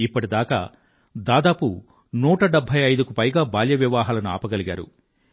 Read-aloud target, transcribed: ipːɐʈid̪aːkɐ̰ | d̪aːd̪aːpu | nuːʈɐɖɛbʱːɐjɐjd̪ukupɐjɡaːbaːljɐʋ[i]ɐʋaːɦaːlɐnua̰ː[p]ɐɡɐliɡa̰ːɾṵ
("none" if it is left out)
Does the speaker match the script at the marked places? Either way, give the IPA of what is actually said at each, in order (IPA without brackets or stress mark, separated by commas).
j, p